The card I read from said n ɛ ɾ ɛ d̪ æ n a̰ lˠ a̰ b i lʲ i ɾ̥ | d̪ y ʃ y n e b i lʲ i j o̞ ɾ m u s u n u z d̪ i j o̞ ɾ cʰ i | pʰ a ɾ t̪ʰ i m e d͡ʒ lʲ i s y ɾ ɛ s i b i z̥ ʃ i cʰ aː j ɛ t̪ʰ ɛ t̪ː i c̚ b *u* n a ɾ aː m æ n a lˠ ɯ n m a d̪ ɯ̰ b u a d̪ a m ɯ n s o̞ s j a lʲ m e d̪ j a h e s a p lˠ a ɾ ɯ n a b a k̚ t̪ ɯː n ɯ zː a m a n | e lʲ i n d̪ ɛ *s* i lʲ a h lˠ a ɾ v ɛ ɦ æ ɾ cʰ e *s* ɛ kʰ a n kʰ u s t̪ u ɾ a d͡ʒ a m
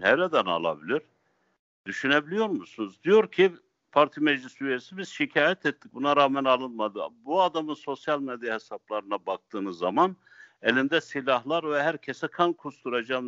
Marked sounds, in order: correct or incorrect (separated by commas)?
correct, correct, correct